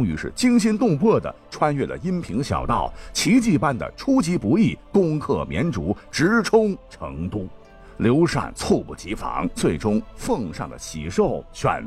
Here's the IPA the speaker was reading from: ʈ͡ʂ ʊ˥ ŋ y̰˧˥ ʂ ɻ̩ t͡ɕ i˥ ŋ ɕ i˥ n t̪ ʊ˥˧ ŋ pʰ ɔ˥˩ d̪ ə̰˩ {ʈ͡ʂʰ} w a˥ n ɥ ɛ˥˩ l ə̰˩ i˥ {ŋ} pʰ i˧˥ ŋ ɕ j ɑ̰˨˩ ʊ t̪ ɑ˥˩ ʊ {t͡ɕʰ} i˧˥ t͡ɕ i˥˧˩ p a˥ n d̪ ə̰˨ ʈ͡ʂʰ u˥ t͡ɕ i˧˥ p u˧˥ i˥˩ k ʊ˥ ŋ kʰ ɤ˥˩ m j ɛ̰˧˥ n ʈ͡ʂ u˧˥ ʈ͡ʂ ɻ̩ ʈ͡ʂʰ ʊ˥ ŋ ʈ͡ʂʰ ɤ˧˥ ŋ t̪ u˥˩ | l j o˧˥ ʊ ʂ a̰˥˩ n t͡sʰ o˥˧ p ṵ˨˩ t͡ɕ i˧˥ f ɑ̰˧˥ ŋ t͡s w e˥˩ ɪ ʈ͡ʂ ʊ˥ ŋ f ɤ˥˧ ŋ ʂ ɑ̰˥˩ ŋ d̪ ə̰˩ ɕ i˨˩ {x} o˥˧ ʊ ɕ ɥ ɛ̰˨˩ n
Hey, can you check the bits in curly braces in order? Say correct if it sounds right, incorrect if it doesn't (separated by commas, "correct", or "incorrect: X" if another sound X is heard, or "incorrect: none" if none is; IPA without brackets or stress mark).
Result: correct, incorrect: n, correct, incorrect: ʂ